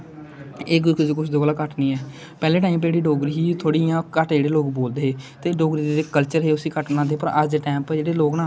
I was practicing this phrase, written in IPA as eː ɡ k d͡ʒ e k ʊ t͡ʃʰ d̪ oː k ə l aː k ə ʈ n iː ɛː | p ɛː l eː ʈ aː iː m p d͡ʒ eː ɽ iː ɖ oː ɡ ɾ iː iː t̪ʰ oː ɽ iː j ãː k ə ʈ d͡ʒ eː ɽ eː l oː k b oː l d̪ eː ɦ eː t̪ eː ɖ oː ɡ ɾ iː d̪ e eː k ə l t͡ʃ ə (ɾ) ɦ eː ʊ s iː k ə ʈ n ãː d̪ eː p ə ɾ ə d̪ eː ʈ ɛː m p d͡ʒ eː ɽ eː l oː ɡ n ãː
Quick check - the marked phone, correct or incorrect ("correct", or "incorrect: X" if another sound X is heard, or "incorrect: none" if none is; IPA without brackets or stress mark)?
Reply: correct